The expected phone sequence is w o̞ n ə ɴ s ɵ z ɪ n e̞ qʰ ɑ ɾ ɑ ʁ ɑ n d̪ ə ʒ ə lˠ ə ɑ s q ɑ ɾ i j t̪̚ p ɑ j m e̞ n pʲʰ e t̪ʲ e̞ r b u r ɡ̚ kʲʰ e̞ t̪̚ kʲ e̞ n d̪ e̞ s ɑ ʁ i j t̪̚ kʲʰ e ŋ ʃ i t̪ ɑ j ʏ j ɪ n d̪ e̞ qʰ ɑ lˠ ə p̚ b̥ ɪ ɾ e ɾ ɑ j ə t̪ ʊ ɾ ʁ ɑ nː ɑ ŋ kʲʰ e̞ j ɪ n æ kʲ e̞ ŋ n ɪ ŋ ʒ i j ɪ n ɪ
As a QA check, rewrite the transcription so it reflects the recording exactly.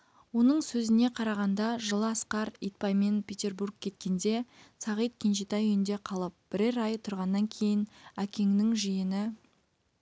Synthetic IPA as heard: w o̞ n ə ɴ s ɵ z ɪ n e̞ qʰ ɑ ɾ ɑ ʁ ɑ n d̪ ɑ ʒ ə lˠ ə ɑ s q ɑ ɾ i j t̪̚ p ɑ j m e̞ n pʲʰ e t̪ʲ e̞ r b u r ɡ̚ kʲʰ e̞ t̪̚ kʲ e̞ n d̪ e̞ s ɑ ʁ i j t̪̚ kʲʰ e n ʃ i t̪ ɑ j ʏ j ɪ n d̪ e̞ qʰ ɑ lˠ ə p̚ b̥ ɪ ɾ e ɾ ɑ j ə t̪ʰ ʊ ɾ ʁ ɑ nː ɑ ŋ kʲʰ e̞ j ɪ n æ kʲ e̞ ŋ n ɪ ŋ ʒ i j ɪ n ɪ

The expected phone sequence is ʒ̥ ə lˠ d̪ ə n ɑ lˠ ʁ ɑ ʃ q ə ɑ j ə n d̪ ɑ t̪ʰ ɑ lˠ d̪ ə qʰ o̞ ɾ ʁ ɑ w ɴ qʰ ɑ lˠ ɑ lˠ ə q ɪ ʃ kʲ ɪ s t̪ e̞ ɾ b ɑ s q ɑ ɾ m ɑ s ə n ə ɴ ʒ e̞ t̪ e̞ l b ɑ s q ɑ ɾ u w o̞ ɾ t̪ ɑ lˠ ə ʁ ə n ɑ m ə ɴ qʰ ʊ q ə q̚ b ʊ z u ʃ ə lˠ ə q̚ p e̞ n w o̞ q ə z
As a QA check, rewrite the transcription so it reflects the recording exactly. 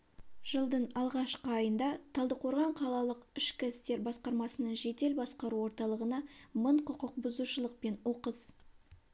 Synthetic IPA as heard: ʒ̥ ə lˠ d̪ ə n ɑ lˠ ʁ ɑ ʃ q ə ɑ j ə n d̪ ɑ t̪ʰ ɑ lˠ d̪ ə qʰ o̞ ɾ ʁ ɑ ɴ qʰ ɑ lˠ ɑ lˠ ə q ɪ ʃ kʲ ɪ s t̪ e̞ ɾ b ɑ s q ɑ ɾ m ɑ s ə n ə ɴ ʒ e̞ t̪ e̞ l b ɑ s q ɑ ɾ u w o̞ ɾ t̪ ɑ lˠ ə ʁ ə n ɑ m ə ɴ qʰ ʊ q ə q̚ b ʊ z u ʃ ə lˠ ə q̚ p e̞ n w o̞ q ə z

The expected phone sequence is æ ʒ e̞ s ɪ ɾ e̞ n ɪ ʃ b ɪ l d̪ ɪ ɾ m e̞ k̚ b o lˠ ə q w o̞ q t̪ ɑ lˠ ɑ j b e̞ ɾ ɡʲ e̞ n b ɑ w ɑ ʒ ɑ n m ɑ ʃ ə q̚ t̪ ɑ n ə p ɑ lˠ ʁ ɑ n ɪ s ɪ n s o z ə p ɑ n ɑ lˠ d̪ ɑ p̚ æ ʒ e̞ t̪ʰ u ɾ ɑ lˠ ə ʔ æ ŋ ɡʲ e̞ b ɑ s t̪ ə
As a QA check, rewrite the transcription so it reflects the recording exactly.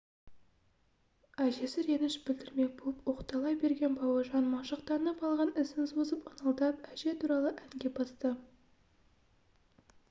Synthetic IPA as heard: æ ʒ e̞ s ɪ ɾ e̞ n ɪ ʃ b ɪ l d̪ ɪ ɾ m e̞ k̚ b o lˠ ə p w o̞ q t̪ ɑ lˠ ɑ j b e̞ ɾ ɡʲ e̞ n b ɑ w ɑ ʒ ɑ n m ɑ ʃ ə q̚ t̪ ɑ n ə p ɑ lˠ ʁ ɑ n ɪ s ɪ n s o z ə p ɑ n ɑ lˠ d̪ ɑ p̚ æ ʒ e̞ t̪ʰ u ɾ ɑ lˠ ə ʔ æ ŋ ɡʲ e̞ b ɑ s t̪ ə

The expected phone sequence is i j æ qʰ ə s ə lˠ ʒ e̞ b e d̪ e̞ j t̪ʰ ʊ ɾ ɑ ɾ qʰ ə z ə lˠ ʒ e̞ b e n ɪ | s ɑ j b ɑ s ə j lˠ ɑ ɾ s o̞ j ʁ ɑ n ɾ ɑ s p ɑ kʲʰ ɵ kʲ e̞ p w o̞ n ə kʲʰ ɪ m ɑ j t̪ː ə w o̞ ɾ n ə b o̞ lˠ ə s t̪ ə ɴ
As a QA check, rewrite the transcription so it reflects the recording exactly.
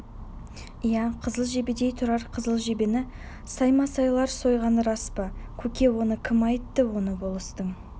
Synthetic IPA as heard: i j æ qʰ ə z ə lˠ ʒ e̞ b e d̪ e̞ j t̪ʰ ʊ ɾ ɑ ɾ qʰ ə z ə lˠ ʒ e̞ b e n ɪ | s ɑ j m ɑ s ɑ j lˠ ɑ ɾ s o̞ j ʁ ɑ n ɾ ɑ s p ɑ kʲʰ ɵ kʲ e̞ w o̞ n ə kʲʰ ɪ m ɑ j t̪ː ə w o̞ n ə b o̞ lˠ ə s t̪ ə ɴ

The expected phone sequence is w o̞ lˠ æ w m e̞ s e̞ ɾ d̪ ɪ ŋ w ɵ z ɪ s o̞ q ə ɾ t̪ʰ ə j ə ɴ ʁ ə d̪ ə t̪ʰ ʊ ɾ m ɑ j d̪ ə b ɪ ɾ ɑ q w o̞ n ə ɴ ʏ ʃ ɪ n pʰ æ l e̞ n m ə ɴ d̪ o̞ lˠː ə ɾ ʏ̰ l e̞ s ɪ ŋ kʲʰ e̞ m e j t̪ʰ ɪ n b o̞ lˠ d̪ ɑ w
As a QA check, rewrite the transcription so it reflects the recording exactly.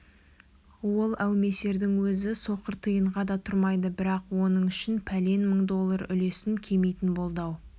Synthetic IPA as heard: w o̞ lˠ æ w m e̞ s e̞ ɾ d̪ ɪ ŋ w ɵ z ɪ s o̞ q ə ɾ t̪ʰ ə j ə ɴ ʁ ɑ d̪ ɑ t̪ʰ ʊ ɾ m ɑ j d̪ ə b ɪ ɾ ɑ q w o̞ n ə ɴ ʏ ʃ ɪ n pʰ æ l e̞ n m ə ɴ d̪ o̞ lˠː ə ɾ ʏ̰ l e̞ s ɪ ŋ kʲʰ e̞ m e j t̪ ɪ n b o̞ lˠ d̪ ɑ w

